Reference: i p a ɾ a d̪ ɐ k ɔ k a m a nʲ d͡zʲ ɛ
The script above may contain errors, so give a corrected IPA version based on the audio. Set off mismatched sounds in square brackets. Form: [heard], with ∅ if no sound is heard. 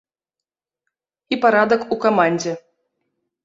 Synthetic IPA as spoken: i p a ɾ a d̪ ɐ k [u] k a m a nʲ d͡zʲ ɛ